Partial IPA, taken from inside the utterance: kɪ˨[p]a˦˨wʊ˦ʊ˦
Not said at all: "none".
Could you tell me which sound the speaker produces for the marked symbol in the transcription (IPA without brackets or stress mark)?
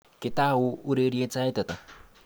t